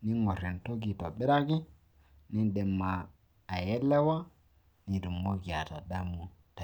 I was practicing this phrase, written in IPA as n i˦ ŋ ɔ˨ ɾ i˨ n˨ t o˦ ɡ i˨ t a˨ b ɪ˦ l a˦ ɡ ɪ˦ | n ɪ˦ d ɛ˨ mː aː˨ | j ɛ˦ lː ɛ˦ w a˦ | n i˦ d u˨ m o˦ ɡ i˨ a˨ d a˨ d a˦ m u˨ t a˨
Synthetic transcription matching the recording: n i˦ ŋ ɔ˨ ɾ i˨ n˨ t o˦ ɡ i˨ t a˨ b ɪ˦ ɾ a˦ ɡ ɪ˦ | n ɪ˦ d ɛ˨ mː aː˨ | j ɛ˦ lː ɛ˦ w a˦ | n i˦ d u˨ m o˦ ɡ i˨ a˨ t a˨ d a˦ m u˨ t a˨